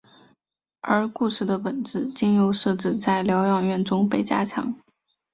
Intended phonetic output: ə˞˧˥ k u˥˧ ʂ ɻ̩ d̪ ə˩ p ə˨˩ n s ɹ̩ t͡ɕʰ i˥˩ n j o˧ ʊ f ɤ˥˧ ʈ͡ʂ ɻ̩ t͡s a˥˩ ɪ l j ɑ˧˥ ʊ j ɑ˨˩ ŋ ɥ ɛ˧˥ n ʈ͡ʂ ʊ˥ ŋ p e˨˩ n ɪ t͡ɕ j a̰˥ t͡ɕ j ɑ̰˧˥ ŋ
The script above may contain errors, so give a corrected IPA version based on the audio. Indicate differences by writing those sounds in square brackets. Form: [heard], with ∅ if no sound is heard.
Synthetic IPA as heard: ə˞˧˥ k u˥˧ ʂ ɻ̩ d̪ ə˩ p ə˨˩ n [t͡s] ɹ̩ [t͡ɕ] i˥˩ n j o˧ ʊ [ʂ] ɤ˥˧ ʈ͡ʂ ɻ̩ t͡s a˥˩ ɪ l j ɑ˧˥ ʊ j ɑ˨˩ ŋ ɥ [ɛ˥˩] n ʈ͡ʂ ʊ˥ ŋ p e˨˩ [∅] ɪ t͡ɕ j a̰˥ [t͡ɕʰ] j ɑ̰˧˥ ŋ